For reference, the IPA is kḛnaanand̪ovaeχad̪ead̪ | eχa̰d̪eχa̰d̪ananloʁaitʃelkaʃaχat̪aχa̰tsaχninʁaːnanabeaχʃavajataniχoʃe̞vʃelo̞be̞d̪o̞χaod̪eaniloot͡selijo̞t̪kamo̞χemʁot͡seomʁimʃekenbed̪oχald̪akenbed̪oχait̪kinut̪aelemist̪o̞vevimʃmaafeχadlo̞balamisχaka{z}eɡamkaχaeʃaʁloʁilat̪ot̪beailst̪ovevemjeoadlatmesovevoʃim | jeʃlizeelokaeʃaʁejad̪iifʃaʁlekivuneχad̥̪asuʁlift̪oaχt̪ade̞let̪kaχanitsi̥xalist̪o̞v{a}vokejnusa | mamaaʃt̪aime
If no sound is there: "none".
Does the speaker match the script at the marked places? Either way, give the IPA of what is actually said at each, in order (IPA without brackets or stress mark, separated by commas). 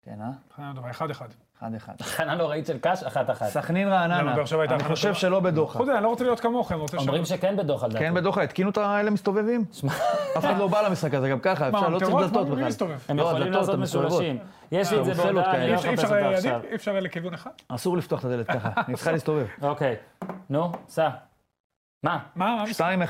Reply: z, e